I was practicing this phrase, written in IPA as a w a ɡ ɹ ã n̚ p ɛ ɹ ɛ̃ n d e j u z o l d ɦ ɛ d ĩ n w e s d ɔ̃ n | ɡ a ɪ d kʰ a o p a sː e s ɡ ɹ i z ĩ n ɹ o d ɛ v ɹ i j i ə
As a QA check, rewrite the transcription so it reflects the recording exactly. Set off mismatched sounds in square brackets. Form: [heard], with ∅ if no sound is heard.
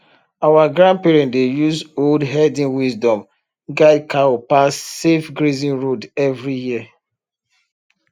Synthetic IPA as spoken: a w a ɡ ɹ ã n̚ p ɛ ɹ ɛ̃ n d e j u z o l d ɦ ɛ d ĩ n w [i] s d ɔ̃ [m] | ɡ a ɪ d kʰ a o p a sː e [f] ɡ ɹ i z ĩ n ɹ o d ɛ v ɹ i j i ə